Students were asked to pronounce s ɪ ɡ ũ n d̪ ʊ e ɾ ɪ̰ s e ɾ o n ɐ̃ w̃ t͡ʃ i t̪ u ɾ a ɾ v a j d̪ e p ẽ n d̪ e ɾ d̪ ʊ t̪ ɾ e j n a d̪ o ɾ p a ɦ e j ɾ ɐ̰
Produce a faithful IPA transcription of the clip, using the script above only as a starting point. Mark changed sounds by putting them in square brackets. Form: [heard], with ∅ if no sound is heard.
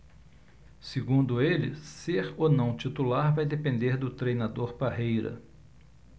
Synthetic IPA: s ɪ ɡ ũ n d̪ ʊ e [l] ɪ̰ s e ɾ o n ɐ̃ w̃ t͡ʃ i t̪ u [l] a ɾ v a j d̪ e p ẽ n d̪ e ɾ d̪ ʊ t̪ ɾ e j n a d̪ o ɾ p a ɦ e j ɾ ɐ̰